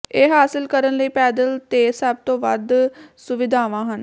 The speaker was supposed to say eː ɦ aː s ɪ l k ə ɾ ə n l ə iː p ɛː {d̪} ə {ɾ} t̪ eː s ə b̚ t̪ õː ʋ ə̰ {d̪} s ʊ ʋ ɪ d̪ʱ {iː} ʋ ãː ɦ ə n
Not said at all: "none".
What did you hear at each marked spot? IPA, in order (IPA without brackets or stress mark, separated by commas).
d̪, l, d̪, aː